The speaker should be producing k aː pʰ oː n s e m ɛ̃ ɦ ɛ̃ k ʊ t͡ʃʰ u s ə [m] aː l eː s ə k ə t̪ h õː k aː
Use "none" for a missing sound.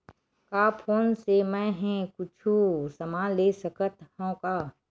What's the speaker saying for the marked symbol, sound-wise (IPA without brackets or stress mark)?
m